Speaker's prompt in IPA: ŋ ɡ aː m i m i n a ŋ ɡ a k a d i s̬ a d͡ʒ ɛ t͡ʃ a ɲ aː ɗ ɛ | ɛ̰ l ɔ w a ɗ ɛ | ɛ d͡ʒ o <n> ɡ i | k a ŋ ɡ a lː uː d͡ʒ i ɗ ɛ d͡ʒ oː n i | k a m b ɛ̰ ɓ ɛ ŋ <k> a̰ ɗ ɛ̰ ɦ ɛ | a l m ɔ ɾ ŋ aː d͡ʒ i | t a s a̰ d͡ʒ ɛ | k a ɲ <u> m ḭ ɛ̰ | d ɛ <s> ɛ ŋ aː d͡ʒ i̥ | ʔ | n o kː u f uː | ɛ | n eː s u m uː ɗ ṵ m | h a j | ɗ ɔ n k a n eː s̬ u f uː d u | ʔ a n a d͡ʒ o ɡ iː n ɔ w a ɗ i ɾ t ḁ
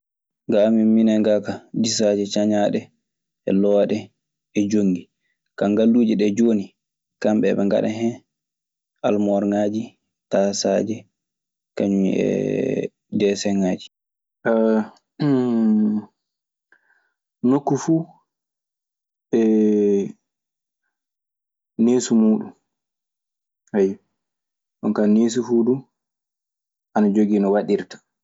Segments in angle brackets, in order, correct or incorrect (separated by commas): incorrect, incorrect, correct, correct